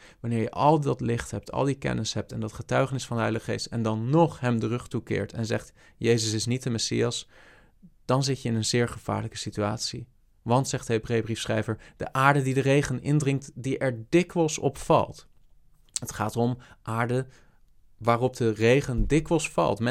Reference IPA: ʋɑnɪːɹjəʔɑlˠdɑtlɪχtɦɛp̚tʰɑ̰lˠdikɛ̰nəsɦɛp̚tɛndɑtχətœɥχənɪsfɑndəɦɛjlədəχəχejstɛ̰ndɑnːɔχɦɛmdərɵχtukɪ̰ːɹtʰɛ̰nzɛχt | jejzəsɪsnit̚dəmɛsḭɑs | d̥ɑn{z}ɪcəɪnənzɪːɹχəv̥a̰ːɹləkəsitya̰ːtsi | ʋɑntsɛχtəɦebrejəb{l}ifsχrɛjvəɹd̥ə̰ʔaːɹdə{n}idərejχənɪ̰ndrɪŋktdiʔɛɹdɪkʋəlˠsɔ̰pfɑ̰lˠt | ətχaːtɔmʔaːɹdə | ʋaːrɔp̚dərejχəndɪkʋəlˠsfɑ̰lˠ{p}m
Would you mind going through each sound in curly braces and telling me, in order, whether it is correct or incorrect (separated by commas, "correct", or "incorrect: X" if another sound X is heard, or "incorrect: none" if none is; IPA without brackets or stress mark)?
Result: correct, incorrect: r, incorrect: d, incorrect: t